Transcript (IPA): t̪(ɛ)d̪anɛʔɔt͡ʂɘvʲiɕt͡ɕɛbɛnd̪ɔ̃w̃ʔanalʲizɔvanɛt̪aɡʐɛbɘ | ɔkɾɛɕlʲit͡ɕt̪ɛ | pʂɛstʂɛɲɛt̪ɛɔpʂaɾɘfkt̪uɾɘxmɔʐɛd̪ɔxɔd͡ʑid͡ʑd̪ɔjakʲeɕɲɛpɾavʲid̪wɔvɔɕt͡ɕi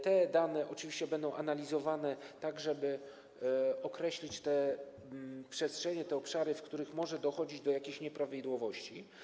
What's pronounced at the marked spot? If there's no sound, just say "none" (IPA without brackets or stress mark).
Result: ɛ